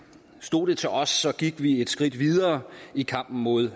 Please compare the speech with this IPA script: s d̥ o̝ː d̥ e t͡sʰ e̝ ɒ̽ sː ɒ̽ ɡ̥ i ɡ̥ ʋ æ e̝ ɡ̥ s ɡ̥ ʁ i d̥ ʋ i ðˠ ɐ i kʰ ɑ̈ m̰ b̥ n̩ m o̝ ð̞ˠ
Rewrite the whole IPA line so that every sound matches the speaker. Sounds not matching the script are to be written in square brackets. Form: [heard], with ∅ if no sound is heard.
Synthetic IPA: s d̥ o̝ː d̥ e t͡sʰ e̝ ɒ̽ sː ɒ̽ ɡ̥ i ɡ̥ ʋ [i] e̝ [d̥] s ɡ̥ ʁ i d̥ ʋ i ðˠ [ɐː] i kʰ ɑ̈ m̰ b̥ n̩ m o̝ ð̞ˠ